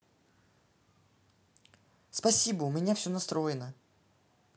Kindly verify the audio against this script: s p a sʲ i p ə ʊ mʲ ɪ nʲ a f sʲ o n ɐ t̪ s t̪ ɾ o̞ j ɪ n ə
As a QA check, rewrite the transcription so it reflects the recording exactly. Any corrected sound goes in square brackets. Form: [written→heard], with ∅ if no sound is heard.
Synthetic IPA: s p [a→ɐ] sʲ i [p→b] ə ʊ mʲ ɪ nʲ a f sʲ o n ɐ [t̪→∅] s t̪ ɾ o̞ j ɪ n ə